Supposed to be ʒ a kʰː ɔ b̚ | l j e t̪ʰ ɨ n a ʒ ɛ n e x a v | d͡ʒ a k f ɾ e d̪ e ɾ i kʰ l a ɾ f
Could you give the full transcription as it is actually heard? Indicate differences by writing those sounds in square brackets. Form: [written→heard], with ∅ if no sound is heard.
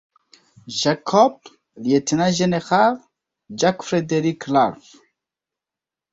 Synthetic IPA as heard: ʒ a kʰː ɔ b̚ | l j e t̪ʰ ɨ n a ʒ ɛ n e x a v | d͡ʒ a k f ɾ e d̪ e ɾ i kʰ l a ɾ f